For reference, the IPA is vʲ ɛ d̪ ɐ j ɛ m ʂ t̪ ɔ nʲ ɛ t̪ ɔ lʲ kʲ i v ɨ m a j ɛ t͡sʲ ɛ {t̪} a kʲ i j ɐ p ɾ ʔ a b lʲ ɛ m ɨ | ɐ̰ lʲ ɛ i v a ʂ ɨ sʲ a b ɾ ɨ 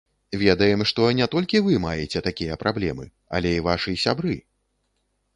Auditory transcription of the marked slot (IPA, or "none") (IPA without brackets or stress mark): t̪